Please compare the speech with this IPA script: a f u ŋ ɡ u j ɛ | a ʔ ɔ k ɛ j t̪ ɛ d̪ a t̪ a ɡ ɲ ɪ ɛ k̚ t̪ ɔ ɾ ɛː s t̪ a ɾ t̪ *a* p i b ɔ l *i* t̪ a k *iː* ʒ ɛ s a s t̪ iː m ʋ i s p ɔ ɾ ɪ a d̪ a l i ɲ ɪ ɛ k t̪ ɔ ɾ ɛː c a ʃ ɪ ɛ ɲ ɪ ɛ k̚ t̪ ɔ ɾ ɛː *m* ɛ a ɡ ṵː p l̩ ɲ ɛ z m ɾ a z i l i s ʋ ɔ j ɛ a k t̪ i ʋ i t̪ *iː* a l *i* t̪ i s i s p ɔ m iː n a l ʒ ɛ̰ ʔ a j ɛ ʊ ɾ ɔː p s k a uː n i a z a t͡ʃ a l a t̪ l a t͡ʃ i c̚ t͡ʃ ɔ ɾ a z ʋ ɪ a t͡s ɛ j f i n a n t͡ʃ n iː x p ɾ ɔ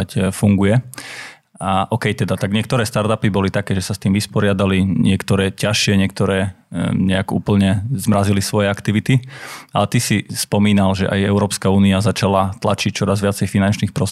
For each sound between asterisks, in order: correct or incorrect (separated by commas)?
correct, correct, incorrect, incorrect, incorrect, incorrect